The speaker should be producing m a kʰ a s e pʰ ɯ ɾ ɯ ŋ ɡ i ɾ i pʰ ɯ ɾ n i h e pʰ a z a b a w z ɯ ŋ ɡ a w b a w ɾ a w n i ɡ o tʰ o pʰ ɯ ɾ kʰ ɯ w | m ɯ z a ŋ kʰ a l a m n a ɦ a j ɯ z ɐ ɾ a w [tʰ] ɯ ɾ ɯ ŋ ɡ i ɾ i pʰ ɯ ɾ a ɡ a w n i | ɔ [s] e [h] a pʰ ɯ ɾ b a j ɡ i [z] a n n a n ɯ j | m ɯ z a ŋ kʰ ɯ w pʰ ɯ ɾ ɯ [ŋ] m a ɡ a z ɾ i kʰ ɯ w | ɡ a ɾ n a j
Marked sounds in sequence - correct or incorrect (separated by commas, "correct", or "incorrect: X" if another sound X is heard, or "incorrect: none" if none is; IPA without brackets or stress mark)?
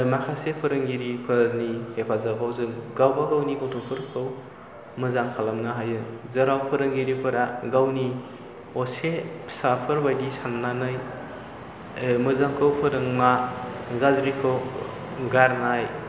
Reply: incorrect: pʰ, correct, incorrect: s, incorrect: s, correct